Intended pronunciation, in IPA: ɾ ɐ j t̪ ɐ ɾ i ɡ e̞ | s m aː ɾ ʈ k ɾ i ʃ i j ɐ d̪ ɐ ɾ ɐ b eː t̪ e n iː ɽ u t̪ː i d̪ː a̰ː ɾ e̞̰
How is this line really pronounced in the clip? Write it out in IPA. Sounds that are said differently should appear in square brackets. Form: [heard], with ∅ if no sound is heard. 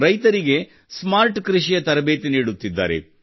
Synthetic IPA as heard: ɾ ɐ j t̪ ɐ ɾ i ɡ e̞ | s m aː ɾ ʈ k ɾ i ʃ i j ɐ [t̪] ɐ ɾ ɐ b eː t̪ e n iː ɽ u t̪ː i d̪ː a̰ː ɾ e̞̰